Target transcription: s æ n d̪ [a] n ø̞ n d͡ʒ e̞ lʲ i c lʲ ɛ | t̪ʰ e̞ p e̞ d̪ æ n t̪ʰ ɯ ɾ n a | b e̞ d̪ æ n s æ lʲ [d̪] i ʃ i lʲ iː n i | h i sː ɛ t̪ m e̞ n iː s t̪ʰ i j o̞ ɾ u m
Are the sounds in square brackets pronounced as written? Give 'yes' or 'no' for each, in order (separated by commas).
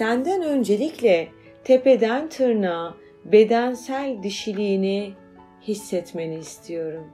no, yes